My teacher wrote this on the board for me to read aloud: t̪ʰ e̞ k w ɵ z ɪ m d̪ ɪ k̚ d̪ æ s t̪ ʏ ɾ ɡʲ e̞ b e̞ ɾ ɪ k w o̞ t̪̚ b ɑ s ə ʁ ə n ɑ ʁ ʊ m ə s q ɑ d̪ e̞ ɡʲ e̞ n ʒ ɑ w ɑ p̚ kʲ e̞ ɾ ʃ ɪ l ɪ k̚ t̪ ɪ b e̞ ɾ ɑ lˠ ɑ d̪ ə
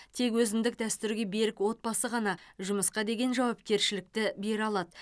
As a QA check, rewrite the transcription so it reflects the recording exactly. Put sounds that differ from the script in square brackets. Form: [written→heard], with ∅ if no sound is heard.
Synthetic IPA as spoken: t̪ʰ e̞ k w ɵ z ɪ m d̪ ɪ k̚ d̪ æ s t̪ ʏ ɾ ɡʲ e̞ b e̞ ɾ ɪ k w o̞ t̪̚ b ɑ s ə ʁ [ə→ɑ] n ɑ [ʁ→ʒ] ʊ m ə s q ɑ d̪ e̞ ɡʲ e̞ n ʒ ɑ w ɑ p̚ kʲ e̞ ɾ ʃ ɪ l ɪ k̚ t̪ ɪ b e̞ ɾ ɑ lˠ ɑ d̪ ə

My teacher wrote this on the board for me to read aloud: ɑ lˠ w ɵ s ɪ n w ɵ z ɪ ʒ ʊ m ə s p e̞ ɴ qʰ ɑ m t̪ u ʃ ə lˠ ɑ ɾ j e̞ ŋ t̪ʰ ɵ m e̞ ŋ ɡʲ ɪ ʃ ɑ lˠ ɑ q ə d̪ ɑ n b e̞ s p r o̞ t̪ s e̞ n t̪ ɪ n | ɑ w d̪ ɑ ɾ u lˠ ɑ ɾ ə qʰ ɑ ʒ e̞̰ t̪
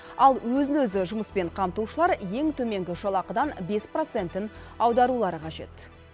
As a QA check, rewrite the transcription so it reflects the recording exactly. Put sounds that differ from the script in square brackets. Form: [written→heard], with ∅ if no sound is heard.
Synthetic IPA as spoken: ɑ lˠ w ɵ [s→z] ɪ n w ɵ z ɪ ʒ ʊ m ə s p e̞ ɴ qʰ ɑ m t̪ u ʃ ə lˠ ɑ ɾ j e̞ ŋ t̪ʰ ɵ m e̞ ŋ ɡʲ ɪ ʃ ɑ lˠ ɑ q ə d̪ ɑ n b e̞ s p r o̞ t̪ s e̞ n t̪ ɪ n | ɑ w d̪ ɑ ɾ u lˠ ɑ ɾ ə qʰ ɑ ʒ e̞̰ t̪

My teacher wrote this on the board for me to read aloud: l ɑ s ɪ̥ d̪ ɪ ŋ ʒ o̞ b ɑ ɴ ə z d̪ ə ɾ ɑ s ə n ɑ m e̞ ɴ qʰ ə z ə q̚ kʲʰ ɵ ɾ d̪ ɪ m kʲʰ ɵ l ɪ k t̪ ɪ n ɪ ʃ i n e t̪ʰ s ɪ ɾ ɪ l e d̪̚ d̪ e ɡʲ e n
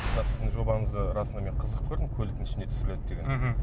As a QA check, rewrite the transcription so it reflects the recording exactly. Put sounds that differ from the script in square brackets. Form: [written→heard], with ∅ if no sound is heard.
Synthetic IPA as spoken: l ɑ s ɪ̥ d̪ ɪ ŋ ʒ o̞ b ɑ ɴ ə z d̪ ə ɾ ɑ s ə n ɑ m e̞ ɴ qʰ ə z ə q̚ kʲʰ ɵ ɾ d̪ ɪ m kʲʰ ɵ l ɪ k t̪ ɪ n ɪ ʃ [i→ɪ] n e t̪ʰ s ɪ ɾ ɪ l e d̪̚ d̪ e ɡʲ e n

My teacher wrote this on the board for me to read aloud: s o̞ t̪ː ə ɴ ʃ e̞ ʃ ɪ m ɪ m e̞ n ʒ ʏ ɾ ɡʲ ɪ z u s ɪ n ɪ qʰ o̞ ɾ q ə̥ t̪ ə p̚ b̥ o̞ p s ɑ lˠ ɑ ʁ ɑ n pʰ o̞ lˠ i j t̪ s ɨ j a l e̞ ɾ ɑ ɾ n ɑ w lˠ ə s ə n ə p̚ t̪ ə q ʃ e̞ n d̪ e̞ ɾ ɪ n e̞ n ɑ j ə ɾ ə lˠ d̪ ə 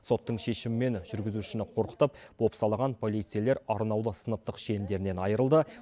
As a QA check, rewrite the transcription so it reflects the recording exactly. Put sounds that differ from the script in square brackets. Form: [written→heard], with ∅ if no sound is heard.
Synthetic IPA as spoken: s o̞ t̪ː ə ɴ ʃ e̞ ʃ ɪ m ɪ m e̞ n ʒ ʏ ɾ ɡʲ ɪ z u [s→ʃ] ɪ n ɪ qʰ o̞ ɾ q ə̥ t̪ ə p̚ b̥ o̞ p s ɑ lˠ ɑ ʁ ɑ n pʰ o̞ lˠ i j t̪ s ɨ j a l e̞ ɾ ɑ ɾ n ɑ w lˠ ə s ə n ə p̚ t̪ ə q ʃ e̞ n d̪ e̞ ɾ ɪ n e̞ n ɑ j ə ɾ ə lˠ d̪ ə

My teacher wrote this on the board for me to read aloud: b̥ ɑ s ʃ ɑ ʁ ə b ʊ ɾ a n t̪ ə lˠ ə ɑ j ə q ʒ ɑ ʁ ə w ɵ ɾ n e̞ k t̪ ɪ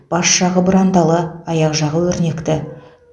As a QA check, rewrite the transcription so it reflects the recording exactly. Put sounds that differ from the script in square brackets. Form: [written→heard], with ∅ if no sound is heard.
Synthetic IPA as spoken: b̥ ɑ s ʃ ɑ ʁ ə b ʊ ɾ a n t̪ [ə→ɑ] lˠ ə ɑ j [ə→ɑ] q ʒ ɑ ʁ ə w ɵ ɾ n e̞ k t̪ ɪ

